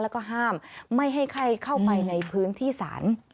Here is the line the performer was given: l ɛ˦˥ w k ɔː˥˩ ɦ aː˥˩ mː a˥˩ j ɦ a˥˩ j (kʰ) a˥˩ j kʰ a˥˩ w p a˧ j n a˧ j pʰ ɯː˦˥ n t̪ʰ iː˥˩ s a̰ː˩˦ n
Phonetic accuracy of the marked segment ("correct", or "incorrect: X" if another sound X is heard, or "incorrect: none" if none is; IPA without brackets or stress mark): correct